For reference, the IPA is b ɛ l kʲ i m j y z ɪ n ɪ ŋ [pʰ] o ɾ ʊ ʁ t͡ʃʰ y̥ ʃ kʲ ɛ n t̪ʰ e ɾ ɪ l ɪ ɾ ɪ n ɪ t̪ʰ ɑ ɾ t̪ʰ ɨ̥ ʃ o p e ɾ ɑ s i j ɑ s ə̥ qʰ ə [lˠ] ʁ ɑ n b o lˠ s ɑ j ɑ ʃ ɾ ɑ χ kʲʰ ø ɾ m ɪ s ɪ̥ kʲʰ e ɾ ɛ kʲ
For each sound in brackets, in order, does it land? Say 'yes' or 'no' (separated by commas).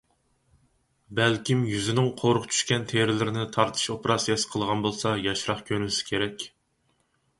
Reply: no, yes